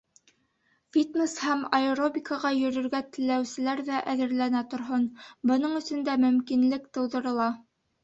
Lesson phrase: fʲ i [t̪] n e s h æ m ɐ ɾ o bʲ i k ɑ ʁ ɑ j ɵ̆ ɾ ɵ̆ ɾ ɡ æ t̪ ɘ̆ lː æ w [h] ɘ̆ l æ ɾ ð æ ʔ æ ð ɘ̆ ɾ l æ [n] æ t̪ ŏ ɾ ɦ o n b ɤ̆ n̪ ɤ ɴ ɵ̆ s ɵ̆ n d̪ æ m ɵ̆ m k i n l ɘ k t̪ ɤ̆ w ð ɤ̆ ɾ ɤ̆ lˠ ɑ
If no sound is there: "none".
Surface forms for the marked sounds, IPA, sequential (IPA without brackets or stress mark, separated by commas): t̪, s, n